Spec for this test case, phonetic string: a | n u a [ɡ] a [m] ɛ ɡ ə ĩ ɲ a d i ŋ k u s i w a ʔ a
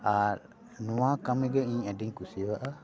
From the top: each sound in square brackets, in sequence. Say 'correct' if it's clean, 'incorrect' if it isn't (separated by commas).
incorrect, correct